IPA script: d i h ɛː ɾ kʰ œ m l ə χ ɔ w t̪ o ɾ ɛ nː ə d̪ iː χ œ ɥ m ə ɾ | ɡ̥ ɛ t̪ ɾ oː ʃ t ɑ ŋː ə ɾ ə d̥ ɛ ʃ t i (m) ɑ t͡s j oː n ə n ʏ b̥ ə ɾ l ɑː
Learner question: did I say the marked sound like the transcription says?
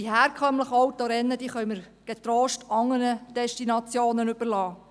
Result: no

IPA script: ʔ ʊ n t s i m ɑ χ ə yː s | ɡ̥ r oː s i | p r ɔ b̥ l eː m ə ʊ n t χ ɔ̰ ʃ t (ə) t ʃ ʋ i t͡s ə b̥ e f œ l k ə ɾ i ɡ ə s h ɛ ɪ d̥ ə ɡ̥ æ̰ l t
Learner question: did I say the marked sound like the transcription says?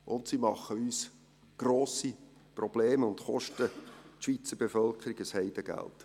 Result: yes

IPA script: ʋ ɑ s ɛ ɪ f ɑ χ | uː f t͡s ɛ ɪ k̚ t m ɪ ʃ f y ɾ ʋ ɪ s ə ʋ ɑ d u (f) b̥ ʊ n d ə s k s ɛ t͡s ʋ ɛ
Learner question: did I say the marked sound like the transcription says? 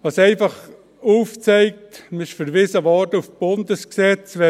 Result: yes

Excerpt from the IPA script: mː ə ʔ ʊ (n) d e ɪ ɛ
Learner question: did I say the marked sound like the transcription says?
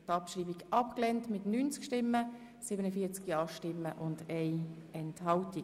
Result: yes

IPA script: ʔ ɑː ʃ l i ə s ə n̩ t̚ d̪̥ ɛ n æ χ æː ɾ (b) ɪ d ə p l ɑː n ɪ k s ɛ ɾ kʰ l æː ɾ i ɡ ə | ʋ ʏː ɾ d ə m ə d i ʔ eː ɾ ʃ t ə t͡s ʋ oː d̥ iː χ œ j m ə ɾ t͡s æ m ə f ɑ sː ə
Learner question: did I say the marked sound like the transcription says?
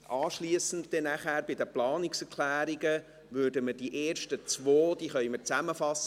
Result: yes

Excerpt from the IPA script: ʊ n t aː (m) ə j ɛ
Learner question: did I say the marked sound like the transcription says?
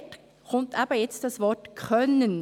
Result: no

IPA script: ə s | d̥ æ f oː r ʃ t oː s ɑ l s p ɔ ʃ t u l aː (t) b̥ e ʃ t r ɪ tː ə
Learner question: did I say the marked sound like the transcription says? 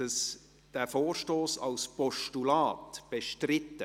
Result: yes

